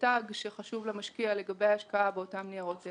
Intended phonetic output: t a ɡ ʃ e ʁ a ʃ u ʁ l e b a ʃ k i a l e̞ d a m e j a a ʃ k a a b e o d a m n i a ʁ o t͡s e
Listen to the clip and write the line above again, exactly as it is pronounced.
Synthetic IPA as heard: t a ɡ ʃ e χ a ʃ u v l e m a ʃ k i a l e̞ ɡ a b e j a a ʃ k a a b e o t a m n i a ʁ o t͡s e